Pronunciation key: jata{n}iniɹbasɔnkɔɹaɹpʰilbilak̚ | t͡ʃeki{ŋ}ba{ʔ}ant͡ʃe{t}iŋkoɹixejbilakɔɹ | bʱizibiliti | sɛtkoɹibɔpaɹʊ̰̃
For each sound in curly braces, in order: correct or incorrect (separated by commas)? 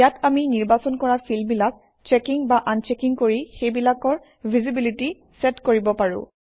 incorrect, correct, correct, incorrect